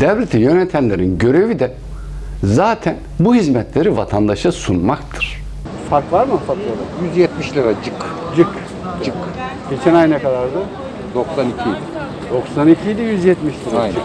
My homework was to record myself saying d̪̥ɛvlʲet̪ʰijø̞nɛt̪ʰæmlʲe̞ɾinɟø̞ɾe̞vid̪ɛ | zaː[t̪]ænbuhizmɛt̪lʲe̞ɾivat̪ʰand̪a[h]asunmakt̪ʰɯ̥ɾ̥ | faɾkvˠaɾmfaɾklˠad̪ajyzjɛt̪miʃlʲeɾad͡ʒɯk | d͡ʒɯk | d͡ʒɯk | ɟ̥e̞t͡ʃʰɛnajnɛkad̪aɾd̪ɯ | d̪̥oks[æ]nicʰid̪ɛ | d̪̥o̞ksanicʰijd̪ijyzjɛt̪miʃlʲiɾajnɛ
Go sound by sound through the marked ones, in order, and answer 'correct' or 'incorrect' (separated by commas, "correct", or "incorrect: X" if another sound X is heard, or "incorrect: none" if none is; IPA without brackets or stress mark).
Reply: incorrect: t̪ʰ, incorrect: ʃ, incorrect: a